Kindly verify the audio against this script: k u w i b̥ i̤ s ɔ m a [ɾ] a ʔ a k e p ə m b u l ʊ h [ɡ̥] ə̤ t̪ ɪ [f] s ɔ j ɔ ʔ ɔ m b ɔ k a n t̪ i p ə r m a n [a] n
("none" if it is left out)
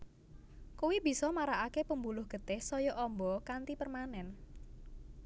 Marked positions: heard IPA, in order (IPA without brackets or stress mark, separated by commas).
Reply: ɾ, ɡ̥, h, ɛ